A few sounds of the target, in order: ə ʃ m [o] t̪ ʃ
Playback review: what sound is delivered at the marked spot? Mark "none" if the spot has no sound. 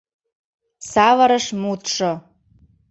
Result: u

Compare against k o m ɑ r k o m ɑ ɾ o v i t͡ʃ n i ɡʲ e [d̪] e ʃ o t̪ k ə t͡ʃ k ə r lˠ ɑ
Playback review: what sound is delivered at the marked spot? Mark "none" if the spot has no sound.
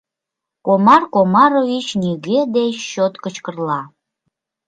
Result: d̪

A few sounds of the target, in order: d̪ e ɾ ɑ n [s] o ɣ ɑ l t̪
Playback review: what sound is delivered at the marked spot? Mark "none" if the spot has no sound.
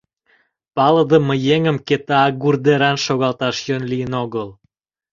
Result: ʃ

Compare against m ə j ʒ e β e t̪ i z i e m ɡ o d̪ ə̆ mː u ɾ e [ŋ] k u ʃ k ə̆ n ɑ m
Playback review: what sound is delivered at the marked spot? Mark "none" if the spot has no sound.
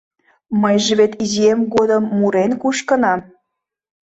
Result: n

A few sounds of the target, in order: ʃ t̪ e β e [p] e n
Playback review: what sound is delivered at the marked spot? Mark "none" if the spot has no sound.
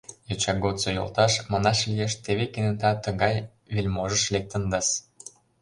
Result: k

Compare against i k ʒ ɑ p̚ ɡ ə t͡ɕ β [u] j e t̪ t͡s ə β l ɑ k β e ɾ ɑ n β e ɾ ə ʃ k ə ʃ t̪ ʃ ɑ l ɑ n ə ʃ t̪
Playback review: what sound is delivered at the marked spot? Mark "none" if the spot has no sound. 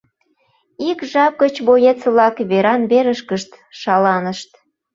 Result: o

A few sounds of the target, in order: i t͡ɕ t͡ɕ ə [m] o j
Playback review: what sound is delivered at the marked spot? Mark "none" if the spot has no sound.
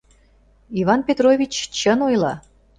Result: n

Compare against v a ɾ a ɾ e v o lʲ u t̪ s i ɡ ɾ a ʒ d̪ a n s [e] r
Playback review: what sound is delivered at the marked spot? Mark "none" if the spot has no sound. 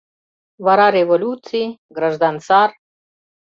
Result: a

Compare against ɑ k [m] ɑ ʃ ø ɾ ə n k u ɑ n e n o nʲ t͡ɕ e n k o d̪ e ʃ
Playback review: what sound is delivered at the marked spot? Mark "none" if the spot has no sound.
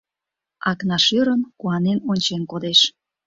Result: n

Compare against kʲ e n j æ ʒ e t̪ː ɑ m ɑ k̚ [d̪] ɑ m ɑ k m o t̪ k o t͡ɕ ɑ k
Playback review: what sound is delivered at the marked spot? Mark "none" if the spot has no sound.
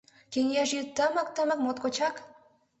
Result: t̪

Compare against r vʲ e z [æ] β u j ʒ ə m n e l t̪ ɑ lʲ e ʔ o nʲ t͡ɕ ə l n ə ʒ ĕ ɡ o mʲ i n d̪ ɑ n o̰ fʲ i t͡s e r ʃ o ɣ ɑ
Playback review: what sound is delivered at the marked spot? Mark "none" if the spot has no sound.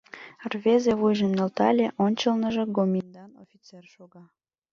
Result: e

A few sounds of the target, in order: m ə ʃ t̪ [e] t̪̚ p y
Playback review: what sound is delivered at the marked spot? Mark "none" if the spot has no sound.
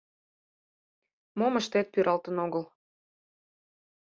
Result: e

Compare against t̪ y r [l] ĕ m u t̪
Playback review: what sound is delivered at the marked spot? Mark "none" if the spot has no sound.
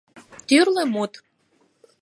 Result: l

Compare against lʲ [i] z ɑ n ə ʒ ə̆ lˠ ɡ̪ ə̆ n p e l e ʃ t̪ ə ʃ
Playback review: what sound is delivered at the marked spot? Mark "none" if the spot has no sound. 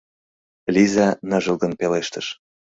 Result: i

